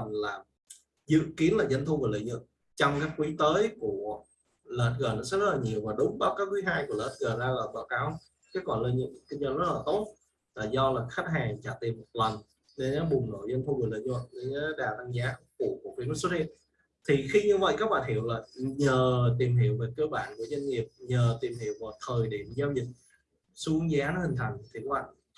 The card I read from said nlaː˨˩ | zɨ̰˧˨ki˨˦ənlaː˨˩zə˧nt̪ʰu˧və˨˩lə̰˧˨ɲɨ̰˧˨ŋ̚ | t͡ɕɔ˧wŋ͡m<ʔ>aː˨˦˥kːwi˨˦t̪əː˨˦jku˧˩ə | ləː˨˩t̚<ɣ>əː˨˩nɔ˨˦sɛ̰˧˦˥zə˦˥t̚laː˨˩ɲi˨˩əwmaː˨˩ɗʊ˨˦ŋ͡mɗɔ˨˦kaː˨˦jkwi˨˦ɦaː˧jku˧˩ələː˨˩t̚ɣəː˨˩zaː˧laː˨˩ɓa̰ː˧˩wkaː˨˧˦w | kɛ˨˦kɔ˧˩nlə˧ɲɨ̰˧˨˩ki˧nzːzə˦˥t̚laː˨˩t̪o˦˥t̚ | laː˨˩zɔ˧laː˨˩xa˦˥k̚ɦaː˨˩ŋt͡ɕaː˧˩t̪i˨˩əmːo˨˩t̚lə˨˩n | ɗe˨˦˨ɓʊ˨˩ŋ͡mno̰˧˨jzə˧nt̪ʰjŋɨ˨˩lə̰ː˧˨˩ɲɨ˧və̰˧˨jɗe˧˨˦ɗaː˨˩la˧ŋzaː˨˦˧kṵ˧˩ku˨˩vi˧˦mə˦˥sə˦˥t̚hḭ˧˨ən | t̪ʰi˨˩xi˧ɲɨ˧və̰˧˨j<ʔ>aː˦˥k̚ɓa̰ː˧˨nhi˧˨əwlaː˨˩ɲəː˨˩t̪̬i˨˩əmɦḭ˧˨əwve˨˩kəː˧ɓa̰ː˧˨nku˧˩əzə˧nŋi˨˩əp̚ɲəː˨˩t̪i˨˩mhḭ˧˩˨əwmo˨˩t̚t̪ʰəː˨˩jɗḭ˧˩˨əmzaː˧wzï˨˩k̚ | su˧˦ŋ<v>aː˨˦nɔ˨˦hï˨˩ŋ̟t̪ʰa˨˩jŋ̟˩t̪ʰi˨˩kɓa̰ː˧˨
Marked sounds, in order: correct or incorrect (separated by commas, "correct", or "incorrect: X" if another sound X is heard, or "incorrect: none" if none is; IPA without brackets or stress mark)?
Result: incorrect: k, correct, incorrect: k, incorrect: z